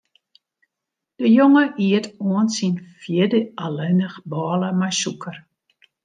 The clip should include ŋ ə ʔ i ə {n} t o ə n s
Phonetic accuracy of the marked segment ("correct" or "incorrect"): incorrect